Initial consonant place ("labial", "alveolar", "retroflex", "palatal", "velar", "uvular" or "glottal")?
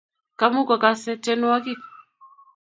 velar